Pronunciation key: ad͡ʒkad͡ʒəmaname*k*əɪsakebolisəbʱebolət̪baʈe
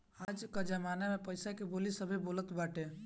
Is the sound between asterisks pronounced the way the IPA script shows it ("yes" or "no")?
no